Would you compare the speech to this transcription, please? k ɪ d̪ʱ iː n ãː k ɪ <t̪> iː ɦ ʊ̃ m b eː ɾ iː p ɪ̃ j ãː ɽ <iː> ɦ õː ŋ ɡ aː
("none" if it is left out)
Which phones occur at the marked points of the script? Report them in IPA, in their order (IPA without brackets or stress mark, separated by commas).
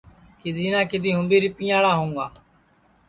d̪, aː